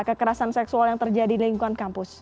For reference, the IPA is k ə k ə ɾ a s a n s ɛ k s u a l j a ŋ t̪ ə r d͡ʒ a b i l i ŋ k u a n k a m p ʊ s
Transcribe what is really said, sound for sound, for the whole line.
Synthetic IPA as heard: k ə k ə ɾ a s a n s ɛ k s u a l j a ŋ t̪ ə r d͡ʒ a d i l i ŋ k u a n k a m p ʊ s